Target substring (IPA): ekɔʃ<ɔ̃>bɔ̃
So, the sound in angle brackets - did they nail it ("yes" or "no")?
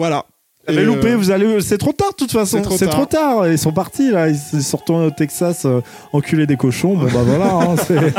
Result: yes